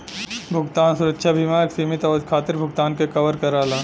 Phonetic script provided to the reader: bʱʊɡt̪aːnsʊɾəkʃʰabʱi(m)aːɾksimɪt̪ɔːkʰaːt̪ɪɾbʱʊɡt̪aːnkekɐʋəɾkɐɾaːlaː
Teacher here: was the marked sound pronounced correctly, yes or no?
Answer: yes